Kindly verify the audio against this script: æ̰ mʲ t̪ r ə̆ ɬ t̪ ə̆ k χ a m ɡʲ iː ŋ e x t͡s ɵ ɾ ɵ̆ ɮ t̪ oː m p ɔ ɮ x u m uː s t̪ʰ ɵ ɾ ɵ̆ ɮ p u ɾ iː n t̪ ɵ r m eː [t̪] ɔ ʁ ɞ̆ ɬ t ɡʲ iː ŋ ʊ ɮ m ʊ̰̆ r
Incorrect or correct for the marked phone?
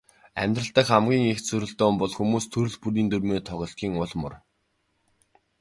incorrect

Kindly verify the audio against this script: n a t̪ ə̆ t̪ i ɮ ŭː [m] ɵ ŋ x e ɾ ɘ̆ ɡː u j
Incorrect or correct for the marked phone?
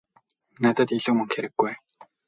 correct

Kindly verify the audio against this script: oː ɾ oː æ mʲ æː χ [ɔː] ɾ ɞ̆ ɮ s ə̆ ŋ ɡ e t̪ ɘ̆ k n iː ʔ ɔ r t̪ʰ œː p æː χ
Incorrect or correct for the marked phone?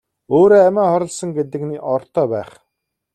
incorrect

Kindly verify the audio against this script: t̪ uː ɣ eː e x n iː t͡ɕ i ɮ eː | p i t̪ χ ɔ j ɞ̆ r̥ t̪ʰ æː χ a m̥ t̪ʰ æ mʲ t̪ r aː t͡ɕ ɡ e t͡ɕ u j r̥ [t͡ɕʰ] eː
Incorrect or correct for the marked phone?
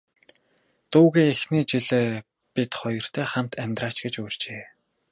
incorrect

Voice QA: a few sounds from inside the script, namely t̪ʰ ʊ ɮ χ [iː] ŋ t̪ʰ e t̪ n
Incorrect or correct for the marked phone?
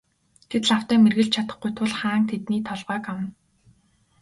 incorrect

